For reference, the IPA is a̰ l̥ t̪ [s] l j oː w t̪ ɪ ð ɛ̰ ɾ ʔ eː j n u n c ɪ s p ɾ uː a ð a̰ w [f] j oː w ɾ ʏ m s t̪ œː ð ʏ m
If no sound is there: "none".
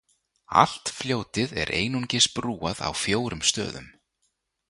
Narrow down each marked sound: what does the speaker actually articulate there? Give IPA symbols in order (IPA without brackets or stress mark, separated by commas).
f, f